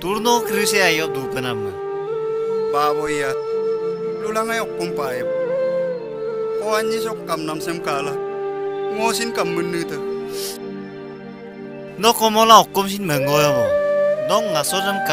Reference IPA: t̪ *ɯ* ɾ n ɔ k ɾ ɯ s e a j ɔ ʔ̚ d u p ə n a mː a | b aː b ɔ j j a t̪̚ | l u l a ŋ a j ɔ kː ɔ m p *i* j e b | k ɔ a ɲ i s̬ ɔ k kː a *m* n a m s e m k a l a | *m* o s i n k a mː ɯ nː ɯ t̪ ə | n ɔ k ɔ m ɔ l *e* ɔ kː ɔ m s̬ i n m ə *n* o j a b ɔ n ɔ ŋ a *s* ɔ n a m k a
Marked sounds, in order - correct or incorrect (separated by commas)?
incorrect, incorrect, correct, incorrect, incorrect, incorrect, correct